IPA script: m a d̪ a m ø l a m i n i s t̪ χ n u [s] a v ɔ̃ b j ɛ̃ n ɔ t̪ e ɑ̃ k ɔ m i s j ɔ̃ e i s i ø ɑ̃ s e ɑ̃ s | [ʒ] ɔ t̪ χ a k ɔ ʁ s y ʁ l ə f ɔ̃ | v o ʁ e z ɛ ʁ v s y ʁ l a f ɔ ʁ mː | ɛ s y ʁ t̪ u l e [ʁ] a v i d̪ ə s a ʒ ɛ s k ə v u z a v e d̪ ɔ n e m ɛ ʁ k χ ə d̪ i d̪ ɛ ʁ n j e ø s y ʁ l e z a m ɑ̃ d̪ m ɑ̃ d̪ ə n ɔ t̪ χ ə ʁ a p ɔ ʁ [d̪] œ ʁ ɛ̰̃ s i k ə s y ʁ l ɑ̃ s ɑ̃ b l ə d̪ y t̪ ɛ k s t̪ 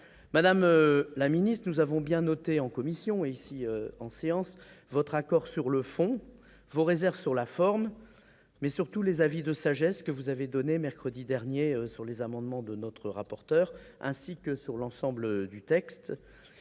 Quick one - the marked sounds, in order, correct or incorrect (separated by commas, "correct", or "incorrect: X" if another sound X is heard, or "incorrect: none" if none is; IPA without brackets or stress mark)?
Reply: incorrect: z, incorrect: v, incorrect: z, incorrect: t̪